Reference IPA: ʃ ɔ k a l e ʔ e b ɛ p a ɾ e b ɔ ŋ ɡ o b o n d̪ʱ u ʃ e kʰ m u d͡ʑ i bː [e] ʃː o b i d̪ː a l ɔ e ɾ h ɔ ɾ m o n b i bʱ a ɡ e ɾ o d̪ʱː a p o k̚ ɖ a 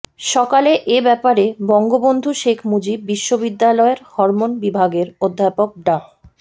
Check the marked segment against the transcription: incorrect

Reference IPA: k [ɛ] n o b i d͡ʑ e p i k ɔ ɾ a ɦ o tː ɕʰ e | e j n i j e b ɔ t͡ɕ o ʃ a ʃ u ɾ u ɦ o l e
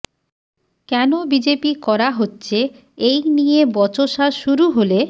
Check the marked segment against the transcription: correct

